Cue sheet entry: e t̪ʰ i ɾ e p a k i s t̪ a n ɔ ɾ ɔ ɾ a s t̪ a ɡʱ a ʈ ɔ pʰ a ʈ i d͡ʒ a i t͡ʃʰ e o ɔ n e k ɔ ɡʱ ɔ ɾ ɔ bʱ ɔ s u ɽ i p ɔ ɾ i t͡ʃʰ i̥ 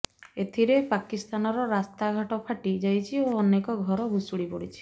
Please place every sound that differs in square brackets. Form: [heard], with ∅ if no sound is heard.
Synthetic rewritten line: e t̪ʰ i ɾ e p a k i s t̪ a n ɔ ɾ ɔ ɾ a s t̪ a ɡʱ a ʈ ɔ pʰ a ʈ i d͡ʒ a [j] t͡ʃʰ [i] o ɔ n e k ɔ ɡʱ ɔ ɾ ɔ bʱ [u] s u ɽ i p ɔ [ɽ] i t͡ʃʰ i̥